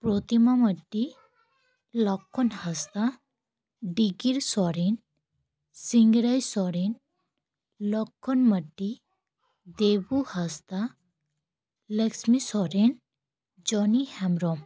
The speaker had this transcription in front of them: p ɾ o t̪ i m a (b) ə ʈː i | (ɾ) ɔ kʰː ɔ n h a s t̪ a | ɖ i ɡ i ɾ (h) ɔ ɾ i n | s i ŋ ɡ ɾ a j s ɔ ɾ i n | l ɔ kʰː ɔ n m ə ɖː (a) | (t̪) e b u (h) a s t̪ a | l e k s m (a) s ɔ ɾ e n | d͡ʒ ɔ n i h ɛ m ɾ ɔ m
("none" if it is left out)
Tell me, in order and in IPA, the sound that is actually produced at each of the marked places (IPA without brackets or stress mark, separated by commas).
m, l, s, i, d̪, h, i